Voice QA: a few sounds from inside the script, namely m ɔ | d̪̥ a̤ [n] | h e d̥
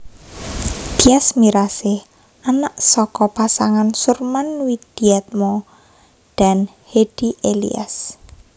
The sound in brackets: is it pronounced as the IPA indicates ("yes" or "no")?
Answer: yes